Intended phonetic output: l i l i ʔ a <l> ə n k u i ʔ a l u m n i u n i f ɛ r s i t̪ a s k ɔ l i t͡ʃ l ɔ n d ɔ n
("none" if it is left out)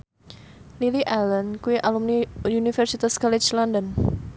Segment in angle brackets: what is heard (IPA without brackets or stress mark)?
l